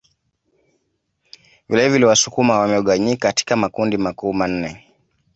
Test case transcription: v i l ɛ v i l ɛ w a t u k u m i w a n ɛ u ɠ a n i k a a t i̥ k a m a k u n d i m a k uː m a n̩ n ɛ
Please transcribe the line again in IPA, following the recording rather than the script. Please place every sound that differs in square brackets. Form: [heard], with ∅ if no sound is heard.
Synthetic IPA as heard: v i l ɛ v i l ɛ w a [s] u k u m [a] w a [m] ɛ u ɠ a [ɲ] i k a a t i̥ k a m a k u n d i m a k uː m a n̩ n ɛ